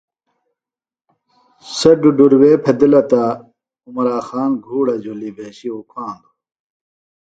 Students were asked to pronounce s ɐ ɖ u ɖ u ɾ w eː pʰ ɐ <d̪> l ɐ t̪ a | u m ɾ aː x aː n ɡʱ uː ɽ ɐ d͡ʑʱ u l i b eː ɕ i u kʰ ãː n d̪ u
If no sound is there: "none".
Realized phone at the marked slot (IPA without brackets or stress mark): d̪